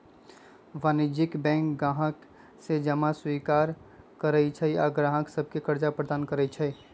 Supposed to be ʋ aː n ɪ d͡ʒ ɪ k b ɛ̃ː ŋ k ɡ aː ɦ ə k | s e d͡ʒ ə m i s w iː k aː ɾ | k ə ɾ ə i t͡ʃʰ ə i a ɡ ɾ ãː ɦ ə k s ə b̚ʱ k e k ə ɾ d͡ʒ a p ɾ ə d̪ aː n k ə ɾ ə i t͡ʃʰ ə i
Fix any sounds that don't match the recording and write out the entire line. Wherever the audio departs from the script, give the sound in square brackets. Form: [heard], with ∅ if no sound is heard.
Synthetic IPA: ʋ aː n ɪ d͡ʒ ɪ k b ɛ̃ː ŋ k ɡ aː ɦ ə k | s e d͡ʒ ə m [a] s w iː k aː ɾ | k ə ɾ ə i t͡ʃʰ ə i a ɡ ɾ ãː ɦ ə k s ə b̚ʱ k e k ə ɾ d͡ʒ a p ɾ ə d̪ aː n k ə ɾ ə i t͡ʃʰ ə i